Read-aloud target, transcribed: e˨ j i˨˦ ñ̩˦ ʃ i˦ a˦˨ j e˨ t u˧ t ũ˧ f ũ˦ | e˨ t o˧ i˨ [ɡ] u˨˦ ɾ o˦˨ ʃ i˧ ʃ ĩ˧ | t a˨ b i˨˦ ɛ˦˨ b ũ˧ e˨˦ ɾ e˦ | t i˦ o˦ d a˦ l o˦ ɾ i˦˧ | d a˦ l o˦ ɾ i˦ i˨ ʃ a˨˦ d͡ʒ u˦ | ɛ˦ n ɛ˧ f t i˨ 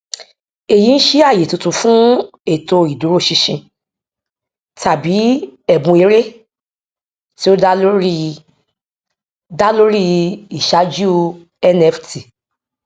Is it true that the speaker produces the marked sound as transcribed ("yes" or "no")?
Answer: no